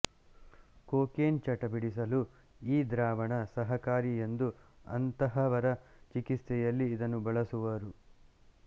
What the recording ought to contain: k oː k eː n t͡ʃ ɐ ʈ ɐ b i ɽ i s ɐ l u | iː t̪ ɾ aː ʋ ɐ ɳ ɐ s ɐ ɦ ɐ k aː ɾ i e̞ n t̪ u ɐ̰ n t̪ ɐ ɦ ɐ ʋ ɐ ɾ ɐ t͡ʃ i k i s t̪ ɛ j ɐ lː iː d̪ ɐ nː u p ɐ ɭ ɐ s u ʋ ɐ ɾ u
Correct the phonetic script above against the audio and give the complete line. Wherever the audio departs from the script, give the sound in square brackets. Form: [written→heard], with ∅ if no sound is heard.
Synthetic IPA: k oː k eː n t͡ʃ ɐ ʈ ɐ b i ɽ i s ɐ l u | iː [t̪→d̪] ɾ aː ʋ ɐ ɳ ɐ s ɐ ɦ ɐ k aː ɾ i e̞ n [t̪→d̪] u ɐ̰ n t̪ ɐ ɦ ɐ ʋ ɐ ɾ ɐ t͡ʃ i k i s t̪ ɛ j ɐ lː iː d̪ ɐ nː u [p→b] ɐ ɭ ɐ s u ʋ ɐ ɾ u

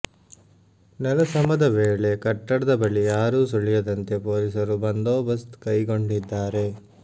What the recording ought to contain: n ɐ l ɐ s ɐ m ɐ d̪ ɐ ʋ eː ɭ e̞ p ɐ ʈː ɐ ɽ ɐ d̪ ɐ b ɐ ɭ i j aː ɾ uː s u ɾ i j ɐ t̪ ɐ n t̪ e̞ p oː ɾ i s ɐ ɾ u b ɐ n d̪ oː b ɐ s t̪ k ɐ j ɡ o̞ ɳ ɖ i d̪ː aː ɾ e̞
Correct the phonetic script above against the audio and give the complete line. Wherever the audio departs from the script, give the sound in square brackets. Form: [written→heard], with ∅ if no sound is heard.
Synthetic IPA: n ɐ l ɐ s ɐ m ɐ d̪ ɐ ʋ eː ɭ e̞ [p→k] ɐ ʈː ɐ ɽ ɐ d̪ ɐ b ɐ ɭ i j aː ɾ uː s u [ɾ→ɭ] i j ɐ [t̪→d̪] ɐ n t̪ e̞ p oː [ɾ→l] i s ɐ ɾ u b ɐ n d̪ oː b ɐ s t̪ k ɐ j ɡ o̞ ɳ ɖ i d̪ː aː ɾ e̞

